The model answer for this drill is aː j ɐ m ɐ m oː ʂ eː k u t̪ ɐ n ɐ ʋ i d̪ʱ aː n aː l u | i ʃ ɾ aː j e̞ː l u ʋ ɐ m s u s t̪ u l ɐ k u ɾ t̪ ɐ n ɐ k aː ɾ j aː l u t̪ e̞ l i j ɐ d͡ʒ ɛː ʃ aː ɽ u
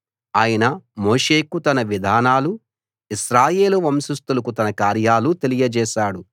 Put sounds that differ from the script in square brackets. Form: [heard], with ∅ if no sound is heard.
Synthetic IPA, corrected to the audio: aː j ɐ [n] ɐ m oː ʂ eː k u t̪ ɐ n ɐ ʋ i d̪ʱ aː n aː l u | i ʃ ɾ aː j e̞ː l u ʋ ɐ m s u s t̪ u l ɐ k u [∅] t̪ ɐ n ɐ k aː ɾ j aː l u t̪ e̞ l i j ɐ d͡ʒ ɛː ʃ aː ɽ u

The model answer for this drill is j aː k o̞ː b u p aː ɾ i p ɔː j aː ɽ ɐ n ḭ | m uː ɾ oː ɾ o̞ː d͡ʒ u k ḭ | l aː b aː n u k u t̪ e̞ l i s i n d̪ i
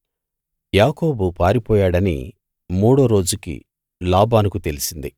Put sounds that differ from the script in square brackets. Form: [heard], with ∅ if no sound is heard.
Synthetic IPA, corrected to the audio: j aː k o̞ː b u p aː ɾ i p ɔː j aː ɽ ɐ n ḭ | m uː [ɽ] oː ɾ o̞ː d͡ʒ u k ḭ | l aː b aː n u k u t̪ e̞ l i s i n d̪ i

